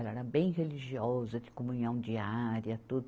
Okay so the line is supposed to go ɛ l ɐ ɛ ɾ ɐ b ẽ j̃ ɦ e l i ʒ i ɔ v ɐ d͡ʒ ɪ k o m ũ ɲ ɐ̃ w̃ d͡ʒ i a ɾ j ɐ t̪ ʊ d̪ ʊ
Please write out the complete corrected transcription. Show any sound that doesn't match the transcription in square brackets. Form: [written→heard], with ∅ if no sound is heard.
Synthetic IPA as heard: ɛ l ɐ ɛ ɾ ɐ b ẽ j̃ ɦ e l i ʒ i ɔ [v→z] ɐ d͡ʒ ɪ k o m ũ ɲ ɐ̃ w̃ d͡ʒ i a ɾ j ɐ t̪ [ʊ→u] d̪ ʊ